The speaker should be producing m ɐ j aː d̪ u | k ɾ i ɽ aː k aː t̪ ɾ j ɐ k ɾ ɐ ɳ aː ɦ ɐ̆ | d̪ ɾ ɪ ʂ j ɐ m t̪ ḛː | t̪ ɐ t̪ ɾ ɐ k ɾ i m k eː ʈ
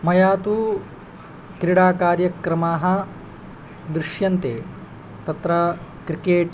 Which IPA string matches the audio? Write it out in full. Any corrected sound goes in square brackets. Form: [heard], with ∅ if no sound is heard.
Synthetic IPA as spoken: m ɐ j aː [t̪] u | k ɾ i ɽ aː k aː [∅] ɾ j ɐ k ɾ ɐ [m] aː ɦ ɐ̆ | d̪ ɾ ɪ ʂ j ɐ [n] t̪ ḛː | t̪ ɐ t̪ ɾ ɐ k ɾ i [∅] k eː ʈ